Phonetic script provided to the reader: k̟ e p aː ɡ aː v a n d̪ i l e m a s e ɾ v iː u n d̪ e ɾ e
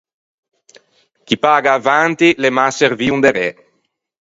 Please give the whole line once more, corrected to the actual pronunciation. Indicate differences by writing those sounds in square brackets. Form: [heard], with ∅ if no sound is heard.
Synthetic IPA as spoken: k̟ [i] p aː ɡ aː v a n [t̪] i l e m a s e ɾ v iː u n d̪ e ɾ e